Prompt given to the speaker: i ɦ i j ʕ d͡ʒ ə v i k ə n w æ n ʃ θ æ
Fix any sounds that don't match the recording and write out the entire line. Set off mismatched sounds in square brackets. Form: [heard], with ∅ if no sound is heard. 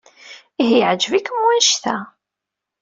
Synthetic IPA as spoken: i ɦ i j ʕ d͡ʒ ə v i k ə [m] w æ n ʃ θ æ